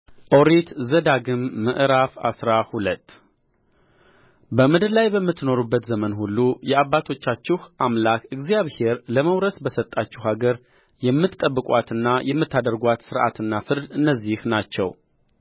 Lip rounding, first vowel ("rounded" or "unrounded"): rounded